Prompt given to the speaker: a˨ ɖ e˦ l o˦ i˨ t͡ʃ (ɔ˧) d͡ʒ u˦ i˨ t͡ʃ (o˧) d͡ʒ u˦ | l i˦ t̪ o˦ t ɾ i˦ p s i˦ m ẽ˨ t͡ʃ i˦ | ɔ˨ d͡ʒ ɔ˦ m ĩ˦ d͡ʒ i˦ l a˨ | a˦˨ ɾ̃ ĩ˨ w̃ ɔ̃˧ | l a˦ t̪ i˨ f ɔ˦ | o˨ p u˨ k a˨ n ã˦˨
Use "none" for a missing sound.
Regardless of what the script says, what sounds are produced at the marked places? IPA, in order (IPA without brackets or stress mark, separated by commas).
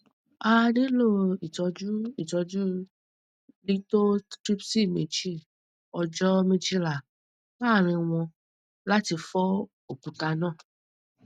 ɔ˧, ɔ˧